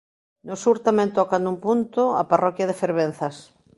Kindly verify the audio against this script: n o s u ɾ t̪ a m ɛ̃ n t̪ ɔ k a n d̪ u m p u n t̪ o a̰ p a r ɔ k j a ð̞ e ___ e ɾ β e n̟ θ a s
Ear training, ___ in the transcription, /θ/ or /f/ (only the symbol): f